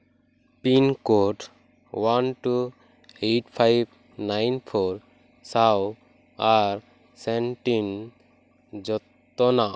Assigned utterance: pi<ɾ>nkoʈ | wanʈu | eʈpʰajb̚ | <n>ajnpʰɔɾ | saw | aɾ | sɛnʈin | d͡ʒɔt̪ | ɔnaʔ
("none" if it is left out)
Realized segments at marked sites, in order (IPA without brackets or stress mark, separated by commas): none, n